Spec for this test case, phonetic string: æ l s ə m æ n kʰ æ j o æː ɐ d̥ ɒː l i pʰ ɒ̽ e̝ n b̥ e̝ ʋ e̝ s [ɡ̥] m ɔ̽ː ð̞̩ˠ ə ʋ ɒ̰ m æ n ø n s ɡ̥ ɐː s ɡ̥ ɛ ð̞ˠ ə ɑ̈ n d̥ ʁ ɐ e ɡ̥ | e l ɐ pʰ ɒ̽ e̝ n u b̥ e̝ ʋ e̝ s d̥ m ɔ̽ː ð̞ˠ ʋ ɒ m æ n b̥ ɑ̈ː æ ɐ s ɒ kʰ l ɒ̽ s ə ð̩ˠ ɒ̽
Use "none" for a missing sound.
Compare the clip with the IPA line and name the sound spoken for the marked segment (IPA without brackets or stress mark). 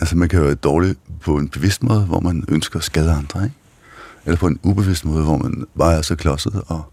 d̥